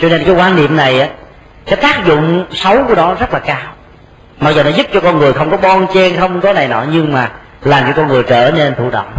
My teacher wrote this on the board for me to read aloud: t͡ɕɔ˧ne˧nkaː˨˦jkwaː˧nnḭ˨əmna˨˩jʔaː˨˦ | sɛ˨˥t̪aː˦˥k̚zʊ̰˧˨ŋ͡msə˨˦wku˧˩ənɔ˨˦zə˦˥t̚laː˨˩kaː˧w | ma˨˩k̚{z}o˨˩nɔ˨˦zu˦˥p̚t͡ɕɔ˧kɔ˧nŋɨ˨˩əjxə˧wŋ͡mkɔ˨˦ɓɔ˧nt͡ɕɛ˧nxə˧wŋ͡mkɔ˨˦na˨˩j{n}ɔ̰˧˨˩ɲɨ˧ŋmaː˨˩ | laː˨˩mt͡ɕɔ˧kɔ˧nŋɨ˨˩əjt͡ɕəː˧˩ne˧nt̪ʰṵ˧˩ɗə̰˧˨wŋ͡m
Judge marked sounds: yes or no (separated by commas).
yes, yes